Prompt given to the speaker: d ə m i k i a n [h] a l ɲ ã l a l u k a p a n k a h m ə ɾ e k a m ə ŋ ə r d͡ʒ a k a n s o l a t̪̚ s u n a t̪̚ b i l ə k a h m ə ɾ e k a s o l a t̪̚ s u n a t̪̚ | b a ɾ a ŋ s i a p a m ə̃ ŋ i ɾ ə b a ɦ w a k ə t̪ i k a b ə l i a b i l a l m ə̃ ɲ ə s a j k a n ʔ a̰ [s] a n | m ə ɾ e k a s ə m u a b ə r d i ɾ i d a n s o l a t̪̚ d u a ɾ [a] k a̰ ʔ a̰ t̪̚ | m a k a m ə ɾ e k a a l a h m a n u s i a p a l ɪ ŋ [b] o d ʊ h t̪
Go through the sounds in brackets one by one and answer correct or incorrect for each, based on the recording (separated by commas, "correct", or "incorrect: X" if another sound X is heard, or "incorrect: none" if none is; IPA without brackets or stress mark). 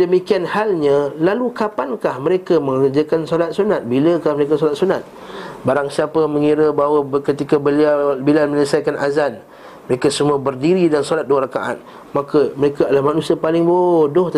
correct, incorrect: z, correct, correct